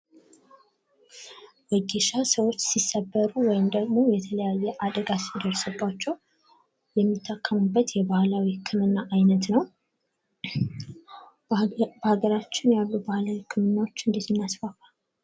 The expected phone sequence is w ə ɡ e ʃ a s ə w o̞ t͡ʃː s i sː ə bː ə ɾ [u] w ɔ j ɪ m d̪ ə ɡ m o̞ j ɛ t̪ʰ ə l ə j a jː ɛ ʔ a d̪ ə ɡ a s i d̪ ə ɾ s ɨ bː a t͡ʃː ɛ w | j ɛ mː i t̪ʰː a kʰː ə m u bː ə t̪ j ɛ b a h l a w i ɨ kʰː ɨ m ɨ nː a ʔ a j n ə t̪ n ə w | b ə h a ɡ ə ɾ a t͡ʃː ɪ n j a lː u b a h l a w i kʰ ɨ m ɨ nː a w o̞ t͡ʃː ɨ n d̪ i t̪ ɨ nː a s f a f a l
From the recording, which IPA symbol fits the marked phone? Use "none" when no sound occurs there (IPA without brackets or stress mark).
u